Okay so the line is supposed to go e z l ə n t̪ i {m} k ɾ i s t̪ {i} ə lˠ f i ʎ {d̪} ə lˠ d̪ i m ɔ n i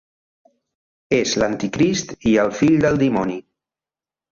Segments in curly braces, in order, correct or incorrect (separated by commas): incorrect, correct, correct